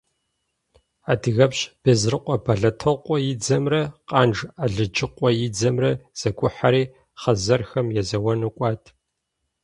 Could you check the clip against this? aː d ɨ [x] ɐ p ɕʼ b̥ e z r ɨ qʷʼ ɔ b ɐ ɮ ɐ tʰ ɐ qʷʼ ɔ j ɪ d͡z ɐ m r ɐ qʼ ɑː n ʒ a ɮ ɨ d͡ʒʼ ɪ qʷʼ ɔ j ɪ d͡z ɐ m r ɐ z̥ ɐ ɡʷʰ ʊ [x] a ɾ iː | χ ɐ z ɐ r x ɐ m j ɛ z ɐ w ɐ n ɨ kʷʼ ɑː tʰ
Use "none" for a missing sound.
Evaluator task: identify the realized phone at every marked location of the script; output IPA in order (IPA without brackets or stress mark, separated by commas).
ɣ, ħ